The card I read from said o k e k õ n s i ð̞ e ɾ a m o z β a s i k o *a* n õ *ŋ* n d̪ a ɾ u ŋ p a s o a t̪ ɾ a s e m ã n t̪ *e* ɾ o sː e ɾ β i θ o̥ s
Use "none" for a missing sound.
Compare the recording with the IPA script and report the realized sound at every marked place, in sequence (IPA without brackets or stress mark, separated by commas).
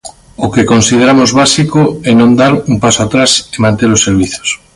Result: ɛ, none, e